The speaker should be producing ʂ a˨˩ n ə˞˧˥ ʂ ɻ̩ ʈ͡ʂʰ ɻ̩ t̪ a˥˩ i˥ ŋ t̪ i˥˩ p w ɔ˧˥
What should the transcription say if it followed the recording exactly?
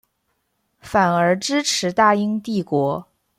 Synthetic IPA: f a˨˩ n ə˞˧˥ ʈ͡ʂ ɻ̩ ʈ͡ʂʰ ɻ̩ t̪ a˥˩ i˥ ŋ t̪ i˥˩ k w ɔ˧˥

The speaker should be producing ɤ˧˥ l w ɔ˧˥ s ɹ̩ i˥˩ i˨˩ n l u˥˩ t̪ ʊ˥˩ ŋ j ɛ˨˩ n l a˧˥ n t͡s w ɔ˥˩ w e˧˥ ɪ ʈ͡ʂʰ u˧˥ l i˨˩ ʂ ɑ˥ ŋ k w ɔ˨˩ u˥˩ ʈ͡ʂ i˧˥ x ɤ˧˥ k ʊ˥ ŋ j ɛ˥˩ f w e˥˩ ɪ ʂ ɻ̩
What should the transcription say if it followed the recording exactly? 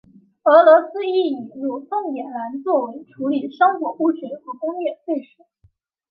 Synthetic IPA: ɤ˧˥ l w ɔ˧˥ s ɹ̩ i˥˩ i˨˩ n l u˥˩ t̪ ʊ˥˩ ŋ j ɛ˨˩ n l a˧˥ n t͡s w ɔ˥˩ w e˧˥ ɪ ʈ͡ʂʰ u˧˥ l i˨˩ ʂ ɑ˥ ŋ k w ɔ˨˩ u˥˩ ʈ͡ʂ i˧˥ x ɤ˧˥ k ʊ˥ ŋ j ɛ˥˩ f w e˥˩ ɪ ʂ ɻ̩

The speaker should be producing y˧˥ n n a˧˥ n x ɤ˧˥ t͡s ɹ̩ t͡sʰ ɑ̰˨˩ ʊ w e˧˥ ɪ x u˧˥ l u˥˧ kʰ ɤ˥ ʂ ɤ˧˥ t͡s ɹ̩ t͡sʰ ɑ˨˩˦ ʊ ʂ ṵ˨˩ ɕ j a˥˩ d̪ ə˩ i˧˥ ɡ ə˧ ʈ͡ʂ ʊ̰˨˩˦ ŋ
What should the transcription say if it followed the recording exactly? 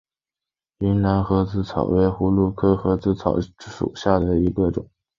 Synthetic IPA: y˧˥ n n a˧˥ n x ɤ˧˥ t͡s ɹ̩ t͡sʰ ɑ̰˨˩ ʊ w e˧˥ ɪ x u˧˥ l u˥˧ kʰ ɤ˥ x ɤ˧˥ t͡s ɹ̩ t͡sʰ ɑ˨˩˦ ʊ ʂ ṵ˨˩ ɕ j a˥˩ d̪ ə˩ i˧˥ ɡ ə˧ ʈ͡ʂ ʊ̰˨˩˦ ŋ

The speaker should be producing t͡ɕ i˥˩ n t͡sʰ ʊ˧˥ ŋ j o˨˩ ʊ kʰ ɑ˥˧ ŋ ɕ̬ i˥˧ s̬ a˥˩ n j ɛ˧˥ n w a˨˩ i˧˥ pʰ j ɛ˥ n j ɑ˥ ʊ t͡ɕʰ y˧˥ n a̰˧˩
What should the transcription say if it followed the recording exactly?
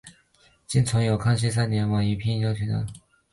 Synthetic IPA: t͡ɕ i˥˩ n t͡sʰ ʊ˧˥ ŋ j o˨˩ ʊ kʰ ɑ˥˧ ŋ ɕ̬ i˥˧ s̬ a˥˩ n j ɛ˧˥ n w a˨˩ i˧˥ pʰ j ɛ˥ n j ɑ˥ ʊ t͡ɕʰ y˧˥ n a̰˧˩

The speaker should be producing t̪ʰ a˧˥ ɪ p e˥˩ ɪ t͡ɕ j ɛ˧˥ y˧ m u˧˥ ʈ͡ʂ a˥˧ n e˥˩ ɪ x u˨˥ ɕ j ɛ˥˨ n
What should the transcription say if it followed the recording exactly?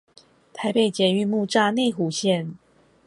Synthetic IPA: t̪ʰ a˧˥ ɪ p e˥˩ ɪ t͡ɕ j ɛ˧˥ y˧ m u˥˧ ʈ͡ʂ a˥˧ n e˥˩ ɪ x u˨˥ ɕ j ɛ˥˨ n

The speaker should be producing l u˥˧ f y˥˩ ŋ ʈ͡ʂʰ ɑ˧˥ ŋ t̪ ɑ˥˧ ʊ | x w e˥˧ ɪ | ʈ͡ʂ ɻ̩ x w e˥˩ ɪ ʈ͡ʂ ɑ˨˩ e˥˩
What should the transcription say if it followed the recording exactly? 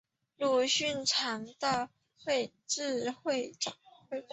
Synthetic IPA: l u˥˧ ɕ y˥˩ n ʈ͡ʂʰ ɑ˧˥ ŋ t̪ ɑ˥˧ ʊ | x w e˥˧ ɪ | ʈ͡ʂ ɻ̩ x w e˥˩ ɪ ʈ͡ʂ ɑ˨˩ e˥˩

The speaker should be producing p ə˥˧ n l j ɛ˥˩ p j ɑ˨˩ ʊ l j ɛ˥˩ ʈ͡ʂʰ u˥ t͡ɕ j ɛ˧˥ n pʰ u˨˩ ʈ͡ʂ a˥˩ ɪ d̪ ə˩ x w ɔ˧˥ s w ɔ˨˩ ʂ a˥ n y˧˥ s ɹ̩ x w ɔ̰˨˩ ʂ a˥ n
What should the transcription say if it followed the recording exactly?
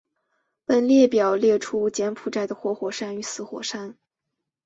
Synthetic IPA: p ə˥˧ n l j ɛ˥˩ p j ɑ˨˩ ʊ l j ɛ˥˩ ʈ͡ʂʰ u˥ t͡ɕ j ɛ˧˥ n pʰ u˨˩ ʈ͡ʂ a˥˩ ɪ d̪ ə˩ x w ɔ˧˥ x w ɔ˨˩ ʂ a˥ n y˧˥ s ɹ̩ x w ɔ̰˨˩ ʂ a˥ n

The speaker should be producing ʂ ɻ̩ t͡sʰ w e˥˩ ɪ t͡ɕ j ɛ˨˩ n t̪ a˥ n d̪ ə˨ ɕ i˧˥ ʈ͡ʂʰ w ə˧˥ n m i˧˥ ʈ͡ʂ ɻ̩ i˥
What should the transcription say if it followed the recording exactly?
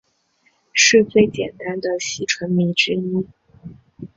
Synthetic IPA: ʂ ɻ̩ t͡s w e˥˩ ɪ t͡ɕ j ɛ˨˩ n t̪ a˥ n d̪ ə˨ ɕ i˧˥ ʈ͡ʂʰ w ə˧˥ n m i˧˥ ʈ͡ʂ ɻ̩ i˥

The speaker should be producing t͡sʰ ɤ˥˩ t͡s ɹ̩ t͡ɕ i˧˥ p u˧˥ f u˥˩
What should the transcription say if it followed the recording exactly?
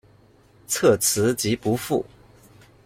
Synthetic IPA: t͡sʰ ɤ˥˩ t͡sʰ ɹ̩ t͡ɕ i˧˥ p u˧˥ f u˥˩

